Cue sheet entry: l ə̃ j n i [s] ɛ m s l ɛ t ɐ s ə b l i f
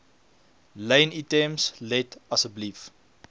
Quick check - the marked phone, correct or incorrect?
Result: incorrect